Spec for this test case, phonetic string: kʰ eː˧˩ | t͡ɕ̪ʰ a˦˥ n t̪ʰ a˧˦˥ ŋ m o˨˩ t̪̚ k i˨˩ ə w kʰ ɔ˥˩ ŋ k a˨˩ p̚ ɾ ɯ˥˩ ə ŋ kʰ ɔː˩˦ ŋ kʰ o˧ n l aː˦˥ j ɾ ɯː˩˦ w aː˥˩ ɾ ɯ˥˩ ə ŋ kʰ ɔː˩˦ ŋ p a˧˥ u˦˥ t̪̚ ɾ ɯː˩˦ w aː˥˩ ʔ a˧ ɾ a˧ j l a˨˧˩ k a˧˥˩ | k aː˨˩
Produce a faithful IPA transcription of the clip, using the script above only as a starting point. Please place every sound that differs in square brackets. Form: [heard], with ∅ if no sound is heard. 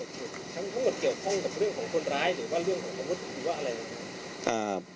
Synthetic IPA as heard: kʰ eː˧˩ | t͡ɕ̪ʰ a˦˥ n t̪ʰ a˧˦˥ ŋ m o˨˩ t̪̚ k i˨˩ ə w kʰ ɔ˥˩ ŋ k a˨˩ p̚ ɾ ɯ˥˩ ə ŋ kʰ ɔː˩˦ ŋ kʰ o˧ n [ɾ] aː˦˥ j ɾ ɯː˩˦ w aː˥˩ ɾ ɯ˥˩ ə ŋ kʰ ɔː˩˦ ŋ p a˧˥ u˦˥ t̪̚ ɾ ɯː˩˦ w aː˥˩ ʔ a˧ ɾ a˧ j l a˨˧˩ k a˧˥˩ | [ʔ] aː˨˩